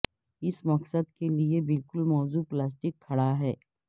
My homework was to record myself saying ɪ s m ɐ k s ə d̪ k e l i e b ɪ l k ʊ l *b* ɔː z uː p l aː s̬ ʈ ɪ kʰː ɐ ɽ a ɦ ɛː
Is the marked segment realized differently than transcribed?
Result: yes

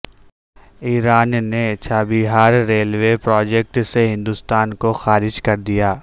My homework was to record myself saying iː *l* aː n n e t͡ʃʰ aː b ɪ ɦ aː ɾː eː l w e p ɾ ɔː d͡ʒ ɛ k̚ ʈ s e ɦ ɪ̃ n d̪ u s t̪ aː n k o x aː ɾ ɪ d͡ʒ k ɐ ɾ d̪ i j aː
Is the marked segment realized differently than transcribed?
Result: yes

